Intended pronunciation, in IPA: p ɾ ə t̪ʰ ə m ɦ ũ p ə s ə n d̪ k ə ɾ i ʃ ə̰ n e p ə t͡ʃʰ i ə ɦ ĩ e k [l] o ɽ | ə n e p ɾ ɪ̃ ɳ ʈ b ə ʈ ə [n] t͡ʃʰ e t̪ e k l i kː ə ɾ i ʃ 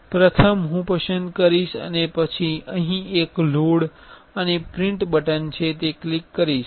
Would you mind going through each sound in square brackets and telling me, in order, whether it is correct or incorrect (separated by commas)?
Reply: correct, correct